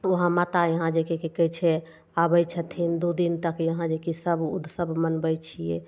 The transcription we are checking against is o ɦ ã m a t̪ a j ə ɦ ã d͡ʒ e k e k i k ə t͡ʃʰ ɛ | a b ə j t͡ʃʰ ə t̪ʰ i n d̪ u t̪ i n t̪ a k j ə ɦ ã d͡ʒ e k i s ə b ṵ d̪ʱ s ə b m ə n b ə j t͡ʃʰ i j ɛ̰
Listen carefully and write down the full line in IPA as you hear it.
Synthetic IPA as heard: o ɦ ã m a t̪ a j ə ɦ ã d͡ʒ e k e k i k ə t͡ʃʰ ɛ | a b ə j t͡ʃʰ ə t̪ʰ i n d̪ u d̪ i n t̪ ə k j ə ɦ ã d͡ʒ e k i s ə b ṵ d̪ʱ s ə b m ə n b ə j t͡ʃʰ i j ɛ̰